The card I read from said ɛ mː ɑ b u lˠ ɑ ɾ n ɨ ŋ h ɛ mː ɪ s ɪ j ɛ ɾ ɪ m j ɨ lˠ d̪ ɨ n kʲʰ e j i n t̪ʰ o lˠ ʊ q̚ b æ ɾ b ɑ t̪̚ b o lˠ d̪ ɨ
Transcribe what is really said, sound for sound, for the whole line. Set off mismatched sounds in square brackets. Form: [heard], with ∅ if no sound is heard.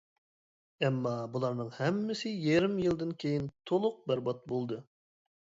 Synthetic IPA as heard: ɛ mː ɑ b u lˠ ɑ ɾ n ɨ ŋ h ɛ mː ɪ s ɪ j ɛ ɾ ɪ m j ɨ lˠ d̪ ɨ n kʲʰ e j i n t̪ʰ o lˠ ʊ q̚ b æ ɾ b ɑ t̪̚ b o lˠ d̪ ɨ